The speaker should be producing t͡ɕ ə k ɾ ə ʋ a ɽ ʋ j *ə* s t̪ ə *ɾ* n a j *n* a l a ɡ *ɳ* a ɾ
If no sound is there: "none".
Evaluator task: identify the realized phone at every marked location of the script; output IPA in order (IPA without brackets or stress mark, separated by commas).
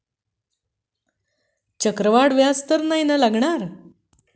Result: a, ɾ, n, ɳ